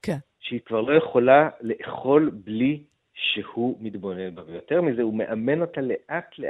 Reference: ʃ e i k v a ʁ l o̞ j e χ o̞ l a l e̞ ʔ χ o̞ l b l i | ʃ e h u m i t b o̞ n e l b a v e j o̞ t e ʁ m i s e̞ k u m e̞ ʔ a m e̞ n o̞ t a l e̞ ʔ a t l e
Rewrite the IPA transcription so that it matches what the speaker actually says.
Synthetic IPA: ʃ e i k v a ʁ l o̞ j e χ o̞ l a l e̞ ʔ χ o̞ l b l i | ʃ e h u m i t b o̞ n e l b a v e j o̞ t e ʁ m i z e̞ u m e̞ ʔ a m e̞ n o̞ t a l e̞ ʔ a t l e